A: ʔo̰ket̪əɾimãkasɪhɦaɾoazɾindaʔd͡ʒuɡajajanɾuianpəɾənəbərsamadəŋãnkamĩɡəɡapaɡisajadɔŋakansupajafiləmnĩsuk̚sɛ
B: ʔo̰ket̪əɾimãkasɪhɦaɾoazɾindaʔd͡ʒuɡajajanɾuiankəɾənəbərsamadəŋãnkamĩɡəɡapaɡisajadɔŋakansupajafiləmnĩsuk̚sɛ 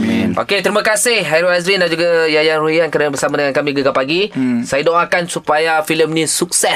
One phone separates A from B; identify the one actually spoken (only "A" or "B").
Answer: B